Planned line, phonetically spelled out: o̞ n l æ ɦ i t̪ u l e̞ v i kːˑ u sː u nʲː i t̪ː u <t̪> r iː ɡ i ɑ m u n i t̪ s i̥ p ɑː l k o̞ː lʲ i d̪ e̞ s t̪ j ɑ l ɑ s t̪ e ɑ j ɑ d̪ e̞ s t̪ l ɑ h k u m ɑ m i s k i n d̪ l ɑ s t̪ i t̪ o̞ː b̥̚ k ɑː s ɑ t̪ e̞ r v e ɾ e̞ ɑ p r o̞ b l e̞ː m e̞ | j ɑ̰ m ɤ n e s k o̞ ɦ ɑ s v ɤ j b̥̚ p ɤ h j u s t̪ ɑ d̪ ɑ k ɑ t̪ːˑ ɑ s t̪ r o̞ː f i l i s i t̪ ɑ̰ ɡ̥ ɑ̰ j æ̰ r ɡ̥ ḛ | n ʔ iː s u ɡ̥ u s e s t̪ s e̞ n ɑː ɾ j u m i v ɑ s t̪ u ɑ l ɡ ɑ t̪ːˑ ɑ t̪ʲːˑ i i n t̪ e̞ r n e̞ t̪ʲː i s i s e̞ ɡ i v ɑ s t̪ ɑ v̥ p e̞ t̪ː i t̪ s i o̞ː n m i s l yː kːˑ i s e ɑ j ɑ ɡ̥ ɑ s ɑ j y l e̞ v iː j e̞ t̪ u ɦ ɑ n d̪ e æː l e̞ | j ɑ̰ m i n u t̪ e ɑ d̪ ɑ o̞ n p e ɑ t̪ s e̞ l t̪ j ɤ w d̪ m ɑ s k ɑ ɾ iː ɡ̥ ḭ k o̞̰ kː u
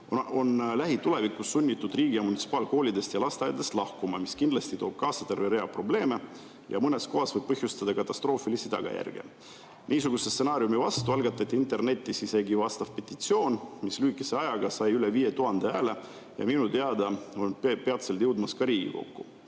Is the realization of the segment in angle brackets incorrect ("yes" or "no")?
yes